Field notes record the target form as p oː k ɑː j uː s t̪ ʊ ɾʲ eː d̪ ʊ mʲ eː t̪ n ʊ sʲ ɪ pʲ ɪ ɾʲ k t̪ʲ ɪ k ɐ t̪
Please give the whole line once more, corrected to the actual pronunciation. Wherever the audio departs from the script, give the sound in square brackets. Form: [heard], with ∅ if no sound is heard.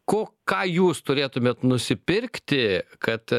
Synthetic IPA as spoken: [k] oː k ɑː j uː s t̪ ʊ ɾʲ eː [t̪] ʊ mʲ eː t̪ n ʊ sʲ ɪ pʲ ɪ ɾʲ k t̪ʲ ɪ k ɐ t̪